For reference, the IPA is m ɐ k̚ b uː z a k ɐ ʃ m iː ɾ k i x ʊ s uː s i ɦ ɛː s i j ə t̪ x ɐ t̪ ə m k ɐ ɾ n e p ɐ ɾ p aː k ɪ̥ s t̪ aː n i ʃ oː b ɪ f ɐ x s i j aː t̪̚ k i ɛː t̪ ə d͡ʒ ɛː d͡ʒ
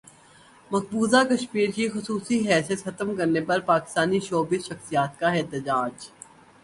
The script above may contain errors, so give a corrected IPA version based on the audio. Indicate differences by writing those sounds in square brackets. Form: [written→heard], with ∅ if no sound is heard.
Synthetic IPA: m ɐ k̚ b uː z a k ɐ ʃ m iː ɾ k i x ʊ s uː s i ɦ ɛː s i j ə t̪ x ɐ t̪ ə m k ɐ ɾ n e p ɐ ɾ p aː k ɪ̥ s t̪ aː n i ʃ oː b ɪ [f→ʃ] ɐ x s i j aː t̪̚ k [i→a] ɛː t̪ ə d͡ʒ [ɛː→aː] d͡ʒ